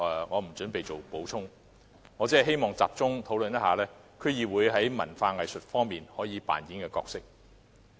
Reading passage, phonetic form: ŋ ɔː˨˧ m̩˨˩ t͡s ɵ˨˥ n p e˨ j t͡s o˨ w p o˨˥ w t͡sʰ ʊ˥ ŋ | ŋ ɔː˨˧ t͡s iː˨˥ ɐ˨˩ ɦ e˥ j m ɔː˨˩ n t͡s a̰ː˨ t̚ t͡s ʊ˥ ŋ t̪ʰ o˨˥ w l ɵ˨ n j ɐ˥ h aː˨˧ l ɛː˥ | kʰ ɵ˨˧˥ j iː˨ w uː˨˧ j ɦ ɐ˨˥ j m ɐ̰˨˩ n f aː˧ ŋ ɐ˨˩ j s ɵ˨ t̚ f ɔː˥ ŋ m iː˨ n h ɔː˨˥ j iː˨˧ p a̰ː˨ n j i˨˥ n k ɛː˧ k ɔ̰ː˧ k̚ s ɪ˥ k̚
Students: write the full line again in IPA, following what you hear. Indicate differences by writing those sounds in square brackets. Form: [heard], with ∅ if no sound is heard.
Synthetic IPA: ŋ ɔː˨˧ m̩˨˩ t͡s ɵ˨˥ n p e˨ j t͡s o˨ w p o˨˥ w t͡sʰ ʊ˥ ŋ | ŋ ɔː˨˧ t͡s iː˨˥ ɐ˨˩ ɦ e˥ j m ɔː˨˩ [ŋ] t͡s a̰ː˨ [p̚] t͡s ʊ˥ ŋ t̪ʰ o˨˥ w l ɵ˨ n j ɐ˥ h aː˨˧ l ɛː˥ | kʰ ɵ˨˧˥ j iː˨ w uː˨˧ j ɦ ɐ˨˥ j m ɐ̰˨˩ n f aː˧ ŋ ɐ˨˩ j s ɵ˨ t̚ f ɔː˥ ŋ m iː˨ n h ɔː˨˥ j iː˨˧ p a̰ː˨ n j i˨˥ n k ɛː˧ k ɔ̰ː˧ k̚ s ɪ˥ k̚

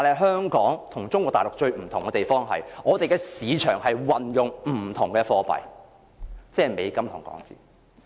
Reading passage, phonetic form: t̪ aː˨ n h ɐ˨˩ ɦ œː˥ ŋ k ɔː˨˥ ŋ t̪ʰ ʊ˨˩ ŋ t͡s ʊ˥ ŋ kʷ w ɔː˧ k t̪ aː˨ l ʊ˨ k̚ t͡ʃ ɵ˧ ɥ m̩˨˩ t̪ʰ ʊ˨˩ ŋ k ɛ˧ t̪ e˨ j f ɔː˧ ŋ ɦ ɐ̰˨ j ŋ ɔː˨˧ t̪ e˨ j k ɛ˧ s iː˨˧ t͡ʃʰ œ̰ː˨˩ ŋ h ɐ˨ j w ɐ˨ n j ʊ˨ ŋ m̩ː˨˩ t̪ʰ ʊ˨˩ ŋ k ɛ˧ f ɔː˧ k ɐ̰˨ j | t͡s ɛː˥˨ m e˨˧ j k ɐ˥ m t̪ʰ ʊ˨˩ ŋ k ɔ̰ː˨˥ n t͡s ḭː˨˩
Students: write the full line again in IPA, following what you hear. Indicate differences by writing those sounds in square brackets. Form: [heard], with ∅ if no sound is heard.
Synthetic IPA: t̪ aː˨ n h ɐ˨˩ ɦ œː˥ ŋ k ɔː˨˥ ŋ t̪ʰ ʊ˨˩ ŋ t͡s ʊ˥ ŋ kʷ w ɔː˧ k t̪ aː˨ l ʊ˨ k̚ t͡ʃ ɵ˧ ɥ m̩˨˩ t̪ʰ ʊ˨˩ ŋ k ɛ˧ t̪ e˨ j f [ɔː˥] ŋ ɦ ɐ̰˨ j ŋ ɔː˨˧ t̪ e˨ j k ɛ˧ s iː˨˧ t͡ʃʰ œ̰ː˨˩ ŋ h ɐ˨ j w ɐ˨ n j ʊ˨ ŋ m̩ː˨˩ t̪ʰ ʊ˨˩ ŋ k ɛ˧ f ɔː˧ [p] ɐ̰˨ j | t͡s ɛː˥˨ m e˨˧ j k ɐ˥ m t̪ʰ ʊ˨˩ ŋ k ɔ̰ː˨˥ [ŋ] t͡s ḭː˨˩

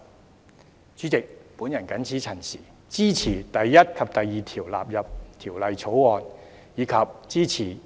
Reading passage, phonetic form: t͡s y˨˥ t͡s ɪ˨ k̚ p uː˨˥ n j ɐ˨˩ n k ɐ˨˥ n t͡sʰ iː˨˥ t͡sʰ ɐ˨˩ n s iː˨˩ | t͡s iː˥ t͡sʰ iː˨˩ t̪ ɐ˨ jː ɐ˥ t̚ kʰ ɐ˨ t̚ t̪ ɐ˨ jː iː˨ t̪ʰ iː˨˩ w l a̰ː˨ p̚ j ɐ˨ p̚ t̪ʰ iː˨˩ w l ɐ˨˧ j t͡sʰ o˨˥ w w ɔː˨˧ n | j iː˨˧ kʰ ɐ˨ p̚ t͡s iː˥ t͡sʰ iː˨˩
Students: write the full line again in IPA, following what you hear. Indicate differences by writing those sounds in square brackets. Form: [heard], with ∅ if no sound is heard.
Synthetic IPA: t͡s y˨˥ t͡s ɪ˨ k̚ p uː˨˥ n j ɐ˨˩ n k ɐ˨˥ n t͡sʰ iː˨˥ t͡sʰ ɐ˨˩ n s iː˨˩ | t͡s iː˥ t͡sʰ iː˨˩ t̪ ɐ˨ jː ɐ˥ t̚ kʰ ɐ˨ [p̚] t̪ ɐ˨ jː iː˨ t̪ʰ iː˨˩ w l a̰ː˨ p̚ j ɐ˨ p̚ t̪ʰ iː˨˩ w l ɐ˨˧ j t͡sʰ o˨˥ w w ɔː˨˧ n | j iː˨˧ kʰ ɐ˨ p̚ t͡s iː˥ t͡sʰ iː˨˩

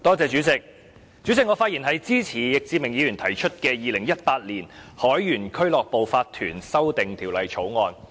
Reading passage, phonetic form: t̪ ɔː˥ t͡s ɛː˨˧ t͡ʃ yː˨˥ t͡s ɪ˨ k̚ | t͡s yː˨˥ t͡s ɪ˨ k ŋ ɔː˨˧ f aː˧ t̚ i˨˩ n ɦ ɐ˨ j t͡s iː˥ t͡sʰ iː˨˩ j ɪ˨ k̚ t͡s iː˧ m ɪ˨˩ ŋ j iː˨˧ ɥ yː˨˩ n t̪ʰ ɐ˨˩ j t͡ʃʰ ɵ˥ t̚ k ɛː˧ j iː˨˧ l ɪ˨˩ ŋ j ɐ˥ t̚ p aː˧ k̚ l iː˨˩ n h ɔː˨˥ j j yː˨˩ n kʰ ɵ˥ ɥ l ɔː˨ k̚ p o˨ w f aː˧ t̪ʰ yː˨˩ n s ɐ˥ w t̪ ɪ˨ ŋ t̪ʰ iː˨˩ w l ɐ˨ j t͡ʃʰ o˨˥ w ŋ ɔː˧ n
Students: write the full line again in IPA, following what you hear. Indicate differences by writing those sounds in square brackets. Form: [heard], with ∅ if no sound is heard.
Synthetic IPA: t̪ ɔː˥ t͡s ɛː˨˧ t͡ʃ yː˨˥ t͡s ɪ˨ k̚ | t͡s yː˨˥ t͡s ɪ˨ k ŋ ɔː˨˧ f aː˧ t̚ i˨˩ n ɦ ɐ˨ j t͡s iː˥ t͡sʰ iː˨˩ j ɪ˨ k̚ t͡s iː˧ m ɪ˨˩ ŋ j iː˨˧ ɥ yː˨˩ n t̪ʰ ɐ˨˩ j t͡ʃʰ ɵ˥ t̚ k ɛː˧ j iː˨˧ l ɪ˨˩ ŋ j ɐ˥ t̚ p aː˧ [t̚] l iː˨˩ n h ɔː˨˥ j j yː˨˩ n kʰ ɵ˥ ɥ l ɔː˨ k̚ p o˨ w f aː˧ t̪ʰ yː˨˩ n s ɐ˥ w t̪ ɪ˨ ŋ t̪ʰ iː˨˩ w l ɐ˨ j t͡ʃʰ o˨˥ w ŋ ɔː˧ n

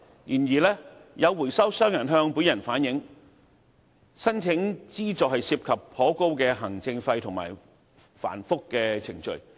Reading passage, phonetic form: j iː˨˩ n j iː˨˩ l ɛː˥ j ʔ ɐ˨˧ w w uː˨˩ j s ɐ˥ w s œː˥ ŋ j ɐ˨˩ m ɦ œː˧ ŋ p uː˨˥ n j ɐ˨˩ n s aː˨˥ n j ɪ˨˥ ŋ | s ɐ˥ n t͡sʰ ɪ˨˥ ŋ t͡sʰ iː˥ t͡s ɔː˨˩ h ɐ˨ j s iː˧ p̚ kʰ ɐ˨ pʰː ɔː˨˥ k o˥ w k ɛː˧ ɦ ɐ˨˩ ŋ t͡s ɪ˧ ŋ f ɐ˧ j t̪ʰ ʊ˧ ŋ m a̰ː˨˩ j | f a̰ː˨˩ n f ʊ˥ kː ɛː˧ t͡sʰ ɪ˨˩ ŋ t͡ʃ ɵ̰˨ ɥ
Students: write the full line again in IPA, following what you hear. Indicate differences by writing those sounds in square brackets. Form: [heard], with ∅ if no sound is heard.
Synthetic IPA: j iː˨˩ n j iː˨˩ l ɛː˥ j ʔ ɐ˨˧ w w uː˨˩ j s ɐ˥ w s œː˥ ŋ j ɐ˨˩ [n] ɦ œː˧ ŋ p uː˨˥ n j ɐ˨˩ n [f] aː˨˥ n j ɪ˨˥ ŋ | s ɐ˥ n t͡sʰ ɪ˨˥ ŋ [t͡s] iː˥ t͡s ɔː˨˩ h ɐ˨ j s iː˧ p̚ kʰ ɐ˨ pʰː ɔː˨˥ k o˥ w k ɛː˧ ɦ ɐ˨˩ ŋ t͡s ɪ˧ ŋ f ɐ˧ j t̪ʰ [ʊ˨˩] ŋ m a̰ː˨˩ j | f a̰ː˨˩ n f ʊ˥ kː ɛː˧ t͡sʰ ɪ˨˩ ŋ t͡ʃ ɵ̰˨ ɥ

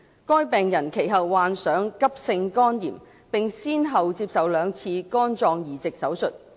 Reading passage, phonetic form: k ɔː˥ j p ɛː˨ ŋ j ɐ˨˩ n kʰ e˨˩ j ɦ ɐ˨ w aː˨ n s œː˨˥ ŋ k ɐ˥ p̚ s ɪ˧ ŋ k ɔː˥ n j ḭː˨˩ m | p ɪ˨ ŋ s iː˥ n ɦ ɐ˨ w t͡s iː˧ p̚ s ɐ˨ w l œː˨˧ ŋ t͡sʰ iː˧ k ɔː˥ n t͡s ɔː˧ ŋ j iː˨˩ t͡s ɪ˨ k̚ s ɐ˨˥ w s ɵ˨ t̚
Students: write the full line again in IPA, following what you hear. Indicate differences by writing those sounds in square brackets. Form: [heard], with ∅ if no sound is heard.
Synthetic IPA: k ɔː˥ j p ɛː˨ ŋ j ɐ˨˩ n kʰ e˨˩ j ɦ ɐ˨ [wː] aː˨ n s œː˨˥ ŋ k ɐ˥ p̚ s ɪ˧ ŋ k ɔː˥ n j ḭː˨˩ m | p ɪ˨ ŋ s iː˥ n ɦ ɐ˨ w t͡s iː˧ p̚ s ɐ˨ w l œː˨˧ ŋ t͡sʰ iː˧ k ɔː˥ n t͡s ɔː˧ ŋ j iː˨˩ t͡s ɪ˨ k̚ s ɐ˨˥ w s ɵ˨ t̚

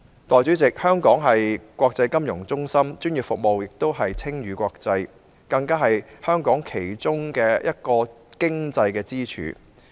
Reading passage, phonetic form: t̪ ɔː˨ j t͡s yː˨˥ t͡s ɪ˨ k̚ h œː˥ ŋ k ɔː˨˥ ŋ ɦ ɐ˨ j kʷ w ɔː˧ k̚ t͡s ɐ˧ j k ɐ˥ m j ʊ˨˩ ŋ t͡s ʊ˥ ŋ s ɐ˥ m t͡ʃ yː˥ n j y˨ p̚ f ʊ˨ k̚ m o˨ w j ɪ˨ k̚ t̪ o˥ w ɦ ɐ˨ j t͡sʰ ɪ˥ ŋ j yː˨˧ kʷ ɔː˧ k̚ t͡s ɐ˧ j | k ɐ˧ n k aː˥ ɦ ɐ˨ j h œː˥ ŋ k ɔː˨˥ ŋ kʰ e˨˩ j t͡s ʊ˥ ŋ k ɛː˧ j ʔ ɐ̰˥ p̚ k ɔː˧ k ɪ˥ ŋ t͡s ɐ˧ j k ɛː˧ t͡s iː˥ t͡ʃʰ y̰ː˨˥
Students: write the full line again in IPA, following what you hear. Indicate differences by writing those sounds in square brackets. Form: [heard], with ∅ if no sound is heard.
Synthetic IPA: t̪ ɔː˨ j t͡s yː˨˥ t͡s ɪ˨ k̚ h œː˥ ŋ k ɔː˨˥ ŋ ɦ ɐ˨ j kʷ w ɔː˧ k̚ t͡s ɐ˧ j k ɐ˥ m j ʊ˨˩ ŋ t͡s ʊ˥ ŋ s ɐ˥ m t͡ʃ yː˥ n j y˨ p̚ f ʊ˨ k̚ m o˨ w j ɪ˨ k̚ t̪ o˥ w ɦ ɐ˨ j t͡sʰ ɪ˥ ŋ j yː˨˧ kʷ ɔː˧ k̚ t͡s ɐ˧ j | k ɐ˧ [ŋ] k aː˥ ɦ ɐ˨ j h œː˥ ŋ k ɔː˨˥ ŋ kʰ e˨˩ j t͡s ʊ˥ ŋ k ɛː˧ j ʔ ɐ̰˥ [t̚] k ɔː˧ k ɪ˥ ŋ t͡s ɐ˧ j k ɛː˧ t͡s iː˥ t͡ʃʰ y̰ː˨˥

